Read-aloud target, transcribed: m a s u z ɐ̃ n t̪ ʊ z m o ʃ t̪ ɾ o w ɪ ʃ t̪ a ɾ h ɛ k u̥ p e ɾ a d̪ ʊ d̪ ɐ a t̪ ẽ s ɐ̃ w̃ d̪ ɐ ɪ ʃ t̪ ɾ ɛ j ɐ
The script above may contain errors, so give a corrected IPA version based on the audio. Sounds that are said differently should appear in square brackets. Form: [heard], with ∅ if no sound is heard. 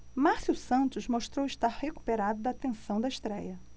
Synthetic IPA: m a s u [s] ɐ̃ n t̪ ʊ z m o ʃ t̪ ɾ o w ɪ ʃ t̪ a ɾ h [e] k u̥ p e ɾ a d̪ ʊ d̪ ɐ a t̪ ẽ s ɐ̃ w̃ d̪ ɐ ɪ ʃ t̪ ɾ ɛ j ɐ